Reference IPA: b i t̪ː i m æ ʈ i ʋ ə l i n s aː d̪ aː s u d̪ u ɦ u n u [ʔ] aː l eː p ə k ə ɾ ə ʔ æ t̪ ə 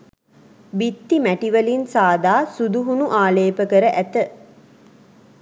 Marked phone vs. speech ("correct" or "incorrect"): correct